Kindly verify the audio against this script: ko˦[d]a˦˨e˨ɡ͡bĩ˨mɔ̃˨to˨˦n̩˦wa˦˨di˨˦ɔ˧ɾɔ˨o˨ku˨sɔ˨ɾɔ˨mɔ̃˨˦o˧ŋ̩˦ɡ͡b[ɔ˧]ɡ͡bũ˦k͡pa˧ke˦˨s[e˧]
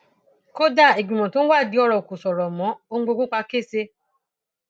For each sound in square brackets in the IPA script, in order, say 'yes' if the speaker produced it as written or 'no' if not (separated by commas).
yes, no, yes